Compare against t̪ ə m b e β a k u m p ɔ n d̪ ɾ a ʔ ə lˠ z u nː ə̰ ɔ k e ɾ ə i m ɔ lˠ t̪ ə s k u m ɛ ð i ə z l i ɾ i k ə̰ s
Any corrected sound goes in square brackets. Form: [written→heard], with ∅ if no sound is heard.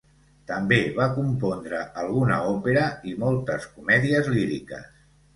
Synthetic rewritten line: t̪ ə m b e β a k u m p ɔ n d̪ ɾ [a→ə] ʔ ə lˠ [z→ɣ] u [nː→n] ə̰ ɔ [k→p] e ɾ ə i m ɔ lˠ t̪ ə s k u m ɛ ð i ə z l i ɾ i k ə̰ s